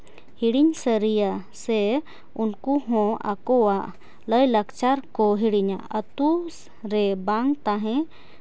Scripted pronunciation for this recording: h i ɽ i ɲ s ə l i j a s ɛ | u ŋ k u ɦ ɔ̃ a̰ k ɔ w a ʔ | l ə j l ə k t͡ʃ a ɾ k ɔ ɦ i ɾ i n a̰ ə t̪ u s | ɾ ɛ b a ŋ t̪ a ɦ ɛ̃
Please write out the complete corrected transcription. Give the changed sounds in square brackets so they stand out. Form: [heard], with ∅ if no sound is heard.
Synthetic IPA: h i ɽ i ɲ s ə [ɾ] i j a s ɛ | u [n] k u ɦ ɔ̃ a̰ k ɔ w a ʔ | l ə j l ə k t͡ʃ a ɾ k ɔ ɦ i [ɽ] i [ɲ] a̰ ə t̪ u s | ɾ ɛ b a ŋ t̪ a ɦ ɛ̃